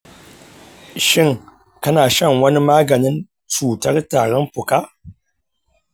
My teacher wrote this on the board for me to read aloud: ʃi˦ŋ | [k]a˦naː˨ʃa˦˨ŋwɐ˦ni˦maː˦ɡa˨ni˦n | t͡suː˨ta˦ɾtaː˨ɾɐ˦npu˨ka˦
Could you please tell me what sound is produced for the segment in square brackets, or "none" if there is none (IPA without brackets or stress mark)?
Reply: k